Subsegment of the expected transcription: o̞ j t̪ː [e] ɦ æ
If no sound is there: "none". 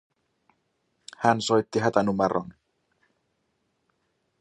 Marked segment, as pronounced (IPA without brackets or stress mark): i